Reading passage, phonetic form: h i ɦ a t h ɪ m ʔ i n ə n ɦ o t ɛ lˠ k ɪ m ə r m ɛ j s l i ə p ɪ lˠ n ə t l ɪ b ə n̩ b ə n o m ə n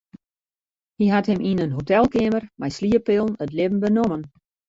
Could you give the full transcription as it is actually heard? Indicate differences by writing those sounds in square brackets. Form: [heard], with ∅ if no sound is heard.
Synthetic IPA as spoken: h i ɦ a t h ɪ m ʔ i n ə n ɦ o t ɛ lˠ k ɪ m ə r m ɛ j s l i ə p ɪ lˠ n ə t l ɪ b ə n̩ b ə n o m ə n